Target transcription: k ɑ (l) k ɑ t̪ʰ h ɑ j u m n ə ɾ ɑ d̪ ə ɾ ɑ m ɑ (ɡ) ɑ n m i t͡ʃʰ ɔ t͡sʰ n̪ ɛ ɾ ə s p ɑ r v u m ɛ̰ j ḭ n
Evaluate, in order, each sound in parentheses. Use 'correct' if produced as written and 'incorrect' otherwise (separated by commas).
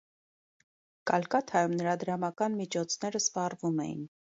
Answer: correct, incorrect